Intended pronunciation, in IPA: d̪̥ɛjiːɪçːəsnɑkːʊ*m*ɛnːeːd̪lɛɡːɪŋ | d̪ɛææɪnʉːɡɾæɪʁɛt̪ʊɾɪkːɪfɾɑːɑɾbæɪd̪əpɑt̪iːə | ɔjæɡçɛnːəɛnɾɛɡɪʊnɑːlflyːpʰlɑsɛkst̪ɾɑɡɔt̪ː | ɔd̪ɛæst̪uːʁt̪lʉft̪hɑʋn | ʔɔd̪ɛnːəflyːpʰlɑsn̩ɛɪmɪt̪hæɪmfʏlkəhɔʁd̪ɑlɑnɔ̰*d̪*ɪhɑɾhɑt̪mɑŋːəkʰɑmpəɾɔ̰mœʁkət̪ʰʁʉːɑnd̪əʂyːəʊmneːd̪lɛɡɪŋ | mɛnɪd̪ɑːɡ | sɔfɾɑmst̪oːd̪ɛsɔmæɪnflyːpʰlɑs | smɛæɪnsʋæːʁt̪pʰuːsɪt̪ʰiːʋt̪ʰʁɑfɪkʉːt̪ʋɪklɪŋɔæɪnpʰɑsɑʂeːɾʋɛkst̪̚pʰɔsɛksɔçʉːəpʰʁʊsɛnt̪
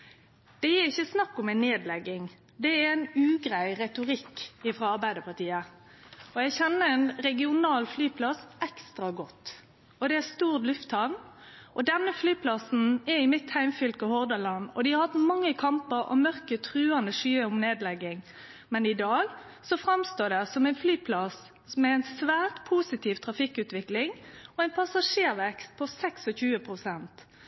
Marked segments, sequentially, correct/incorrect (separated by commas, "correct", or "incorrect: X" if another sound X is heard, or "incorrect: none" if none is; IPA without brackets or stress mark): correct, correct